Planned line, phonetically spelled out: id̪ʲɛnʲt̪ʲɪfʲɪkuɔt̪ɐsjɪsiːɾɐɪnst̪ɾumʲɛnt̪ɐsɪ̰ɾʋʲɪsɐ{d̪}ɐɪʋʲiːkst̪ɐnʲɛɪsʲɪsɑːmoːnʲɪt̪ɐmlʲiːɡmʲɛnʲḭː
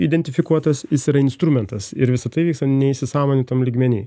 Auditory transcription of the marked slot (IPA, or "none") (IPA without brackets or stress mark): t̪